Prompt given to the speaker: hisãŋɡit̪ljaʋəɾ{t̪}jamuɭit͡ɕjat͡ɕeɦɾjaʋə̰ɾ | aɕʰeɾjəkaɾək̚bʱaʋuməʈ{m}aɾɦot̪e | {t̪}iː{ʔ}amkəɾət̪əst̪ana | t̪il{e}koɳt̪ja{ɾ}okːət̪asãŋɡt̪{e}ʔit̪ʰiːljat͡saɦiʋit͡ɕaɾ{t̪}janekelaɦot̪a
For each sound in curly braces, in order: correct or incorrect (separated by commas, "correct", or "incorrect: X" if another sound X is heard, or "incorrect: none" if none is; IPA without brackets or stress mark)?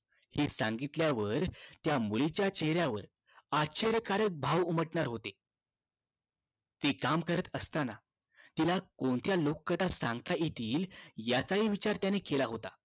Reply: correct, incorrect: ɳ, correct, incorrect: k, incorrect: a, incorrect: l, incorrect: a, correct